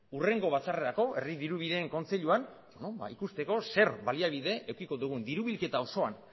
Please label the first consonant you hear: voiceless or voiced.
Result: voiced